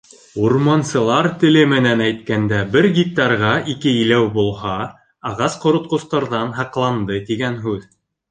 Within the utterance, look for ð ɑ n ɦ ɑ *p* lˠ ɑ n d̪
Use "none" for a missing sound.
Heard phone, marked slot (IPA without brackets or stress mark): q